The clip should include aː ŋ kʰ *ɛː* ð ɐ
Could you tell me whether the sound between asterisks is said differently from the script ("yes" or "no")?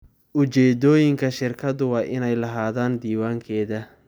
no